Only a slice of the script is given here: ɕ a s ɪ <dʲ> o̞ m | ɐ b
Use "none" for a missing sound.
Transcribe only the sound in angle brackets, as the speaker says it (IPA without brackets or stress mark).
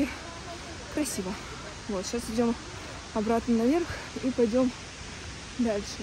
dʲ